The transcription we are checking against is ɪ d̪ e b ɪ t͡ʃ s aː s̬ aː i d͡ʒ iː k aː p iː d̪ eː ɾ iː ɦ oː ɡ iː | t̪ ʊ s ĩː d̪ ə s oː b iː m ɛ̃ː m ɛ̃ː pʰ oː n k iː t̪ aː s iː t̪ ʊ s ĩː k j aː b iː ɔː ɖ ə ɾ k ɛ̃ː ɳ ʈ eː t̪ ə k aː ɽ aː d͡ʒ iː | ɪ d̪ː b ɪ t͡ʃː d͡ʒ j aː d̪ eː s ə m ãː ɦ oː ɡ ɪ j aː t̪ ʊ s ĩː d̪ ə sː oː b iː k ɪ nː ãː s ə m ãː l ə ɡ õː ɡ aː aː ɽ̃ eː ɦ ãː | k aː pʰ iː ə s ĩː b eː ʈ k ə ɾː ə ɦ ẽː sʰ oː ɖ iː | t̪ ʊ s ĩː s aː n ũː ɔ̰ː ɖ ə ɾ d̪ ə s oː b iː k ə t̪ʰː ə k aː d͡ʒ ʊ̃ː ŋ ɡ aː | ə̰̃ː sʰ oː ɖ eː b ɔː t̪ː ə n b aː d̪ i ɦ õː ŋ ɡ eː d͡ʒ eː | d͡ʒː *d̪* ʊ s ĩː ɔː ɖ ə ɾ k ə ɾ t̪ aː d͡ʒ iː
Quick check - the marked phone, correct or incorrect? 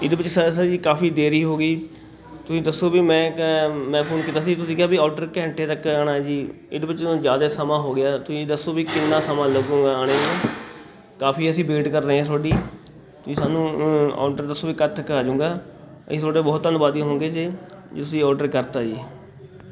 incorrect